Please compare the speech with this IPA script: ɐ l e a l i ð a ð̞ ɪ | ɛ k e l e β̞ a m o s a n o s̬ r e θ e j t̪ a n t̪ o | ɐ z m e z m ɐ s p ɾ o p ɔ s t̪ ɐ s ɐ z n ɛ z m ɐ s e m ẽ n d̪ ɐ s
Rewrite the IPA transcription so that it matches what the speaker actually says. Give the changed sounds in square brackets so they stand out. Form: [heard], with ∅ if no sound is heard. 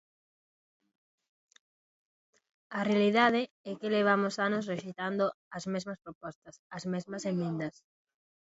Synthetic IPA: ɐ [r] e a l i ð a ð̞ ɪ | ɛ k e l e β̞ a m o s a n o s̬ r e [ʃ] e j t̪ a n [d̪] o | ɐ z m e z m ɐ s p ɾ o p ɔ s t̪ ɐ s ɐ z [m] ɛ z m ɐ s e m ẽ n d̪ ɐ s